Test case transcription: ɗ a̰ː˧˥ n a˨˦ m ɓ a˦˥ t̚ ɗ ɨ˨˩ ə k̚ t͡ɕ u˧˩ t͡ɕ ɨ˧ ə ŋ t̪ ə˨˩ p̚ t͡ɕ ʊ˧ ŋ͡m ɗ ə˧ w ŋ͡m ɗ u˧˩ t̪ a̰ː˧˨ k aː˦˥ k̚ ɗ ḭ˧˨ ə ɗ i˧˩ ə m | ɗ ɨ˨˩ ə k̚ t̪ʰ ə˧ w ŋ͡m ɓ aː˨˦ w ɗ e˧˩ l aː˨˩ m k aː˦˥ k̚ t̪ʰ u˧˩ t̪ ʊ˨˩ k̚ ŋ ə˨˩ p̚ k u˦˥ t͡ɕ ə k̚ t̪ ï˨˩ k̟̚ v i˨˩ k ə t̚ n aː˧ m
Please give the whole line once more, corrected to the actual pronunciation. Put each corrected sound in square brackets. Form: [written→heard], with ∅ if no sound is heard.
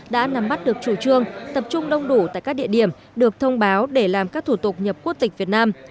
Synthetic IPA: ɗ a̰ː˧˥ n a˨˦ m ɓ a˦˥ t̚ ɗ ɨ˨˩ ə k̚ t͡ɕ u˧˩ t͡ɕ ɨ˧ ə ŋ t̪ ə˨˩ p̚ t͡ɕ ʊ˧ ŋ͡m ɗ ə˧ w ŋ͡m ɗ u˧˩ t̪ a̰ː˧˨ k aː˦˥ k̚ ɗ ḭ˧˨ ə ɗ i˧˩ ə m | ɗ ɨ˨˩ ə k̚ t̪ʰ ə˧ w ŋ͡m ɓ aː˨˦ w ɗ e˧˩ l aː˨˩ m k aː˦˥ k̚ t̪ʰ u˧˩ t̪ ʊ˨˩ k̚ [ŋ→ɲ] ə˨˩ p̚ k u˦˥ [t͡ɕ→∅] ə k̚ t̪ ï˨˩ k̟̚ v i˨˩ [k→∅] ə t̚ n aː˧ m